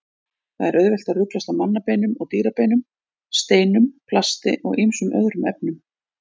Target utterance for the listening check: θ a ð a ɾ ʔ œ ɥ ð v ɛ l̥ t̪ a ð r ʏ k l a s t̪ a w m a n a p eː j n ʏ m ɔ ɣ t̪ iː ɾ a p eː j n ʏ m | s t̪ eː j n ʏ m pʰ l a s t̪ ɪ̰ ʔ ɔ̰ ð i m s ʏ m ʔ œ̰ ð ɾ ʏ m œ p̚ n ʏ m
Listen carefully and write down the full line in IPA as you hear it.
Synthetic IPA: θ a ð ɛ ɾ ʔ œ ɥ ð v ɛ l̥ t̪ a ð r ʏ k l a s t̪ a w m a nː a p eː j n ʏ m ɔ ɣ t̪ iː ɾ a p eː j n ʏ m | s t̪ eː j n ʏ m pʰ l a s t̪ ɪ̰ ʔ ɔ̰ ɣ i m s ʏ m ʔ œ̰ ð ɾ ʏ m ɛ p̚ n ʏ m